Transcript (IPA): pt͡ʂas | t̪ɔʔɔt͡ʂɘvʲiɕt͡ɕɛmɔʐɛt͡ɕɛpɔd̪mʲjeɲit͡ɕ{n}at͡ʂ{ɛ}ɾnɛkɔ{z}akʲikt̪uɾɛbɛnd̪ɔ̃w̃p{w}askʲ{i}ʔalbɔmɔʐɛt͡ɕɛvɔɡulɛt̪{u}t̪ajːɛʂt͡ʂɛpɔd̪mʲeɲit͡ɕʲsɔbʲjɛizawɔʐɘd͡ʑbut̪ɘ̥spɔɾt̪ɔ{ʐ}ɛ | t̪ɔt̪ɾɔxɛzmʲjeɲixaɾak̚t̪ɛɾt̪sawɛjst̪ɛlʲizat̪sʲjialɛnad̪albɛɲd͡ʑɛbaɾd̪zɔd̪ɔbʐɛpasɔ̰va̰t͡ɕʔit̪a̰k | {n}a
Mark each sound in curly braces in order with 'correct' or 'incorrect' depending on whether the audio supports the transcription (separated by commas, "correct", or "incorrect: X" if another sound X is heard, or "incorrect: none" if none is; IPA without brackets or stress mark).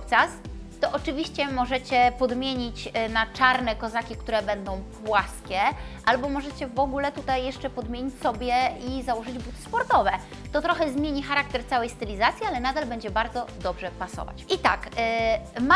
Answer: correct, incorrect: a, correct, correct, incorrect: ɛ, correct, incorrect: v, incorrect: m